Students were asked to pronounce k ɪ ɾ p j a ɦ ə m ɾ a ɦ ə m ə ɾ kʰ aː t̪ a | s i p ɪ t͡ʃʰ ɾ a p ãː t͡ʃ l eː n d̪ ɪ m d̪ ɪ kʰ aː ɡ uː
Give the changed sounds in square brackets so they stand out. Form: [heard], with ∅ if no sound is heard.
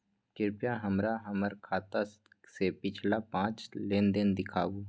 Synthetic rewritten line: k ɪ ɾ p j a ɦ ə m ɾ a ɦ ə m ə ɾ kʰ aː t̪ a | s [e] p ɪ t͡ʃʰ [l] a p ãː t͡ʃ l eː n d̪ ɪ [n] d̪ ɪ kʰ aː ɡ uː